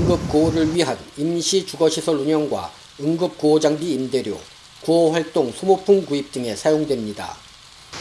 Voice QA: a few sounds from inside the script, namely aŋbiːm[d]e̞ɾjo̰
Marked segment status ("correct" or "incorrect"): correct